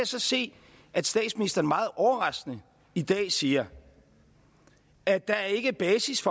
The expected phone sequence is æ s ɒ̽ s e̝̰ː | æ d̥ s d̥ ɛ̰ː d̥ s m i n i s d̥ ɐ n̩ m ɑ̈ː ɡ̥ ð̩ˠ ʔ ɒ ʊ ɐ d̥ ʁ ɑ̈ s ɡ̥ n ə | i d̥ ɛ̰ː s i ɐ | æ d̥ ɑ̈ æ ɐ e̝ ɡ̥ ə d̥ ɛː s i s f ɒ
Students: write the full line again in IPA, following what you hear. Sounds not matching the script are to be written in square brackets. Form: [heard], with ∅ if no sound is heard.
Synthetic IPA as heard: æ s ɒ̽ s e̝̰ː | æ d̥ s d̥ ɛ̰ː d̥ s m i n i s d̥ ɐ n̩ m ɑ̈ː [∅] ð̩ˠ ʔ ɒ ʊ ɐ [∅] ʁ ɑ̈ s ɡ̥ n ə | i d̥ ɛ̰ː s [iː] ɐ | æ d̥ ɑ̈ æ ɐ e̝ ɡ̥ ə [b̥] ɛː s i s f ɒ